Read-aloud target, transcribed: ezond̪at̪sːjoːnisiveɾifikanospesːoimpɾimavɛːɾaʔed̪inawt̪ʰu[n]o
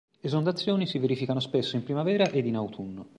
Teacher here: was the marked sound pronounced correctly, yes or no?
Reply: no